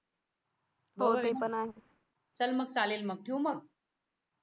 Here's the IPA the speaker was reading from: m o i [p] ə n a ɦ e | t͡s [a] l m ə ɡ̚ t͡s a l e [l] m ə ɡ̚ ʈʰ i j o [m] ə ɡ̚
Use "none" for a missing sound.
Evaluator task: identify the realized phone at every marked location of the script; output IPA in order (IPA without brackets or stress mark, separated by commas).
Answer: p, ə, l, m